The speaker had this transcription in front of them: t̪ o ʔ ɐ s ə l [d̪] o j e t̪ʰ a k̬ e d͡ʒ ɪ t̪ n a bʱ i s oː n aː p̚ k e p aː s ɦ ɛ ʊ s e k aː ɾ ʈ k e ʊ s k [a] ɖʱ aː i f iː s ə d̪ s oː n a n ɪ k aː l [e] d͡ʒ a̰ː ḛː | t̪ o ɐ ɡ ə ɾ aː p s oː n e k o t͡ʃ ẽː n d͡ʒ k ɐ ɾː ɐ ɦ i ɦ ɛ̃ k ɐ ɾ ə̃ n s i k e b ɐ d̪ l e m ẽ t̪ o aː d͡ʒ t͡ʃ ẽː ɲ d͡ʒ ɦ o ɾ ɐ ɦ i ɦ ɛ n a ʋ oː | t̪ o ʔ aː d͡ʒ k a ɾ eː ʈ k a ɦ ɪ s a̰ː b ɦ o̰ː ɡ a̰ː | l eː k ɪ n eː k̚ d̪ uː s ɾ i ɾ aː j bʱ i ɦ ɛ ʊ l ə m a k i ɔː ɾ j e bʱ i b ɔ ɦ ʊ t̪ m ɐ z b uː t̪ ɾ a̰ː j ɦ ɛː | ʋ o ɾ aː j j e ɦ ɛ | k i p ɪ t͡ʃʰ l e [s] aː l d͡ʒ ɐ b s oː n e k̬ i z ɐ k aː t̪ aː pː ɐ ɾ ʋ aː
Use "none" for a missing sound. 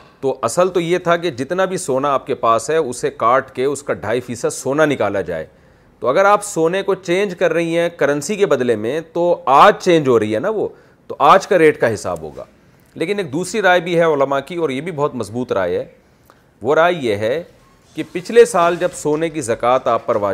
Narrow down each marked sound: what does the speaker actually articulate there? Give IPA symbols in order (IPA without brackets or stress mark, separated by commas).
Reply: t̪, a, a, s